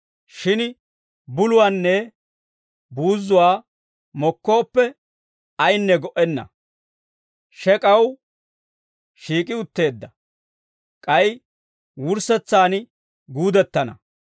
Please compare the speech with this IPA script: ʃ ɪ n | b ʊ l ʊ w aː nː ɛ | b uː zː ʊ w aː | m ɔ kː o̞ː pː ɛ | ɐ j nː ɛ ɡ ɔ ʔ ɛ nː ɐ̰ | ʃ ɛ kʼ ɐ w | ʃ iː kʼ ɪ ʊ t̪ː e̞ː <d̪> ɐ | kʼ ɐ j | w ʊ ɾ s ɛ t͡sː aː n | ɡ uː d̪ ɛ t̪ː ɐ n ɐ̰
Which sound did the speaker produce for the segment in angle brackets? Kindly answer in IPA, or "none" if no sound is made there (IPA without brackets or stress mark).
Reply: d̪ː